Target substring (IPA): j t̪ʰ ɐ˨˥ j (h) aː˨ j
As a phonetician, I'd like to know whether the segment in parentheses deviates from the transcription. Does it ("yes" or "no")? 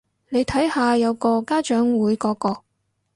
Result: no